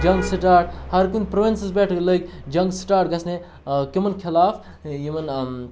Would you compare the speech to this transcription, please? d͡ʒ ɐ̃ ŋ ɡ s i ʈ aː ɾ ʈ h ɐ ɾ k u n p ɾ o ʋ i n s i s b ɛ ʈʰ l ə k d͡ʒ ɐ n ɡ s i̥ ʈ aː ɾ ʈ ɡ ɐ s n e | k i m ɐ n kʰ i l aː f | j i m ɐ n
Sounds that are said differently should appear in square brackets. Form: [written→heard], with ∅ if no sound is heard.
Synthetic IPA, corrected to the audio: d͡ʒ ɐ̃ ŋ ɡ s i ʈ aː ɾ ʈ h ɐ ɾ k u n p ɾ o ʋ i n s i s b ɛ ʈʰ l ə k d͡ʒ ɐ [n→ŋ] ɡ s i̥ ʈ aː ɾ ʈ ɡ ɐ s n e | k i m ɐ n kʰ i l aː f | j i m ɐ n